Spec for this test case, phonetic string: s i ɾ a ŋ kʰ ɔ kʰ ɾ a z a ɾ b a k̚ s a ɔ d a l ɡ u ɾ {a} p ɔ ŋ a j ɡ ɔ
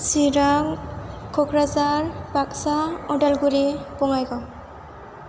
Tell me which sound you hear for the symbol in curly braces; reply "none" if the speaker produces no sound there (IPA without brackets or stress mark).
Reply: i